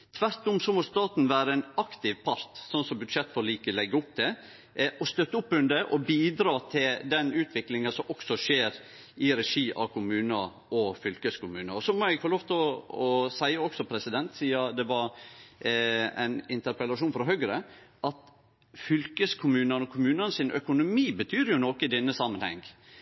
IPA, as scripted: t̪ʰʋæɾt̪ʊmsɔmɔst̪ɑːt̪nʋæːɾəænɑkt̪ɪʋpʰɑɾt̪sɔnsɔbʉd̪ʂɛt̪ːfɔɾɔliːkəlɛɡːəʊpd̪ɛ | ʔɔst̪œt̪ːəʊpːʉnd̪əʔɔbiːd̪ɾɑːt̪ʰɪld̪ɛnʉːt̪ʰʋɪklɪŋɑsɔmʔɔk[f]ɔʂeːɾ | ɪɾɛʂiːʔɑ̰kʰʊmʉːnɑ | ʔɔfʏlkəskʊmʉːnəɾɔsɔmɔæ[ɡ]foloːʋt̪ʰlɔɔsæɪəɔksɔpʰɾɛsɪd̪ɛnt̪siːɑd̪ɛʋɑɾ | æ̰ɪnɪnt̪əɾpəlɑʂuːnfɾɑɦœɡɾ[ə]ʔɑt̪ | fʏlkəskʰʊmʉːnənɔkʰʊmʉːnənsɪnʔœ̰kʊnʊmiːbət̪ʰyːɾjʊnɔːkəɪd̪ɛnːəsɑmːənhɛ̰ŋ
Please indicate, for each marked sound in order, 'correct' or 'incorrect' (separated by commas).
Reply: incorrect, correct, correct